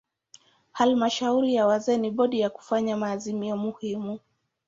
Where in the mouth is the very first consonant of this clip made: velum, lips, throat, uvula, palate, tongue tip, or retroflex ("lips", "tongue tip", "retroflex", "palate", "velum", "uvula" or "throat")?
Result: throat